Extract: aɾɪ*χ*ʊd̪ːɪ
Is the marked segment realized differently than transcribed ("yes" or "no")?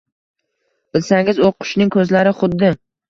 no